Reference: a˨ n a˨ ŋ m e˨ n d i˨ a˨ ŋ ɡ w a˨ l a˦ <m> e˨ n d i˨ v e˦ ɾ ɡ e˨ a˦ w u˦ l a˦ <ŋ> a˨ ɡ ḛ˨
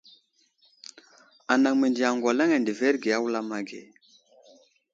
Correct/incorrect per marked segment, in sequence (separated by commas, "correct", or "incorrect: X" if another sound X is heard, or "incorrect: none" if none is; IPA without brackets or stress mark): incorrect: ŋ, incorrect: m